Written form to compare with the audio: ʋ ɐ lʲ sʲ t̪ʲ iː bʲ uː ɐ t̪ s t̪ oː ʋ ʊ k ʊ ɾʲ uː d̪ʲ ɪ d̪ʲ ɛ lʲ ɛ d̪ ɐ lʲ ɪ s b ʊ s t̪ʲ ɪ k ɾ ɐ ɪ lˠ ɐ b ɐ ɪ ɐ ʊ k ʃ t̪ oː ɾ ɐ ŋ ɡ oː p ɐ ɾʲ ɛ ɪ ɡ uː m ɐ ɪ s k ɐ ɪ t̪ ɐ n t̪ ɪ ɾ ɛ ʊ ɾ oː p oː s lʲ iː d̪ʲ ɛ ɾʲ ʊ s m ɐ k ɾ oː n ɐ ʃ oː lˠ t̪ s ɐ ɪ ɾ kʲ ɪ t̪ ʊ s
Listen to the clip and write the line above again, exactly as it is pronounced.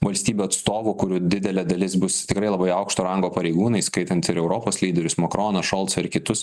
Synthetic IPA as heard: ʋ ɐ lʲ sʲ t̪ʲ iː bʲ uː ɐ t̪ s t̪ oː ʋ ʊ k ʊ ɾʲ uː d̪ʲ ɪ d̪ʲ ɛ lʲ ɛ d̪ ɐ lʲ ɪ s b ʊ s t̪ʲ ɪ k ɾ ɐ ɪ lˠ ɐ b ɐ ɪ ɐ ʊ k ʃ t̪ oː ɾ ɐ ŋ ɡ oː p ɐ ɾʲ ɛ ɪ ɡ uː n ɐ ɪ s k ɐ ɪ t̪ ɐ n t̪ ɪ ɾ ɛ ʊ ɾ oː p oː s lʲ iː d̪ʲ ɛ ɾʲ ʊ s m ɐ k ɾ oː n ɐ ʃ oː lˠ t̪ s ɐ ɪ ɾ kʲ ɪ t̪ ʊ s